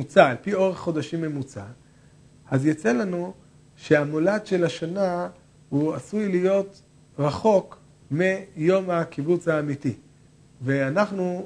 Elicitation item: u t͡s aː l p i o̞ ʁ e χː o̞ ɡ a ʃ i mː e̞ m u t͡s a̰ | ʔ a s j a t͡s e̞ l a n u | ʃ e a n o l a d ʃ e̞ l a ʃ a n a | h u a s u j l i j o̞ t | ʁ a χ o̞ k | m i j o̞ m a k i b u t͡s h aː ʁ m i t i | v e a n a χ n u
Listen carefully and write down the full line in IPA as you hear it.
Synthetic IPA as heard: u t͡s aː l p i o̞ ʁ e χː o̞ d a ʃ i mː e̞ m u t͡s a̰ | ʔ a z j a t͡s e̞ l a n u | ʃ e a m o l a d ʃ e̞ l a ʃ a n a | h u a s u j l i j o̞ t | ʁ a χ o̞ k | m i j o̞ m a k i b u t͡s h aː m i t i | v e a n a χ n u